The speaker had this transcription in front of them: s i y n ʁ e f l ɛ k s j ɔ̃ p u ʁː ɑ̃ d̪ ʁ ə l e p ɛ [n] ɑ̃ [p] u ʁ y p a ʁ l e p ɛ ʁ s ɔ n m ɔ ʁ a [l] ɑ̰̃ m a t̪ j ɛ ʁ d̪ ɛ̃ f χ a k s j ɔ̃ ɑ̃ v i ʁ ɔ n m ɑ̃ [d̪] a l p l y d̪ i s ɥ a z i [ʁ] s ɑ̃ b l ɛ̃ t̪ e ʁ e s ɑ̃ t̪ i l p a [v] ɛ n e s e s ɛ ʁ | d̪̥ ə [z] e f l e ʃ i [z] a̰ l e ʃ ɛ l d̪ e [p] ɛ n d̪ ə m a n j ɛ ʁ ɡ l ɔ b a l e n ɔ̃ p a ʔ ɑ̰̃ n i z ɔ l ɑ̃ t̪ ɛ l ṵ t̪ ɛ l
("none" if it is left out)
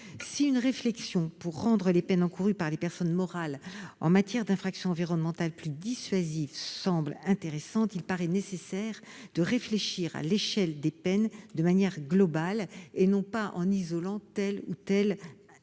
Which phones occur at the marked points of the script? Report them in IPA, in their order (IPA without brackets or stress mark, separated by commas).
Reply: n, k, l, t̪, v, ʁ, ʁ, ʁ, p